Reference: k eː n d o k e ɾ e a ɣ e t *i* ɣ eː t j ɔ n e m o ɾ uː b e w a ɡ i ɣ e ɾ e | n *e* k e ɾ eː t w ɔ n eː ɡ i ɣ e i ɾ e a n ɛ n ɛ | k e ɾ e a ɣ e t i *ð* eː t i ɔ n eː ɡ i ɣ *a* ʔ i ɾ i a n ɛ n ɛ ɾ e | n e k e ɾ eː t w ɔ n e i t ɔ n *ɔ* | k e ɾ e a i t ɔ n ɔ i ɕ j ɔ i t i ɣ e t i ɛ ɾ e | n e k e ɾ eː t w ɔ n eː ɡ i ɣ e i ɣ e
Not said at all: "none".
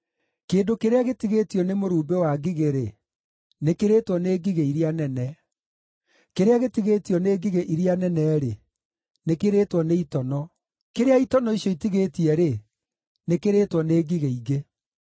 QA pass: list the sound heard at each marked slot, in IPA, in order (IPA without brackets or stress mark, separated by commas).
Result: i, e, ɣ, e, ɔ